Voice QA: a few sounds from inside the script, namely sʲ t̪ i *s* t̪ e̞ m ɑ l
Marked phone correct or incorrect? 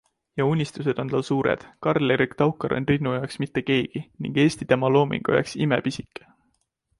incorrect